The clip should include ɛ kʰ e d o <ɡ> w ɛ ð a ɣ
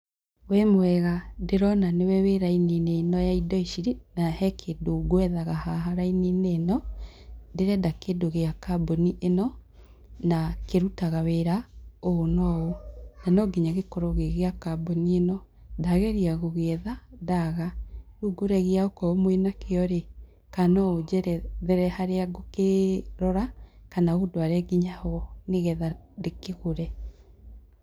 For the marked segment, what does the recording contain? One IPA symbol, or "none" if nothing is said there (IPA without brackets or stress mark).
ɡ